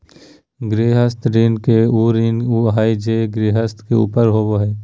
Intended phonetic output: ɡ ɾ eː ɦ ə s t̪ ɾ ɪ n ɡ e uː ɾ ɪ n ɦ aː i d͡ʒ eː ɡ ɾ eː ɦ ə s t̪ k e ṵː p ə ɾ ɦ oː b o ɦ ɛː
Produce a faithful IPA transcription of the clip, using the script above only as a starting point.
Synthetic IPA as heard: ɡ ɾ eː ɦ ə s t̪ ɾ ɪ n k e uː ɾ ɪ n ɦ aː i d͡ʒ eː ɡ ɾ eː ɦ ə s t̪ k e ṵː p ə ɾ ɦ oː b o ɦ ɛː